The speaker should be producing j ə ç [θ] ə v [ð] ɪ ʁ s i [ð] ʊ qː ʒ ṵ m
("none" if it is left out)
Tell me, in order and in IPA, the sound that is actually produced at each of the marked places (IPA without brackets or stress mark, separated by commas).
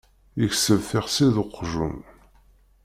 s, θ, ð